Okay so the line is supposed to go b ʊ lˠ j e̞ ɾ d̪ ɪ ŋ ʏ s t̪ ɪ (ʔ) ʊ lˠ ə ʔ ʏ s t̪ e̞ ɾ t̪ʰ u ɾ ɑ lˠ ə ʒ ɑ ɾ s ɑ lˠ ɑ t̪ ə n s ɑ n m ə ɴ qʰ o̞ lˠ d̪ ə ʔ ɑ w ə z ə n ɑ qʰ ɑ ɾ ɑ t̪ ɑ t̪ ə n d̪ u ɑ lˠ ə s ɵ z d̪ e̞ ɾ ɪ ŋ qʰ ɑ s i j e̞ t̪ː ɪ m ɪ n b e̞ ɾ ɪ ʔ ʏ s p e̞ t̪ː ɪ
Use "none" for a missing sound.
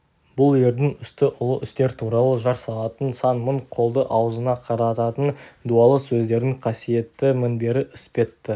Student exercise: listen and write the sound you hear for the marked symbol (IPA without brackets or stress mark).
ʔ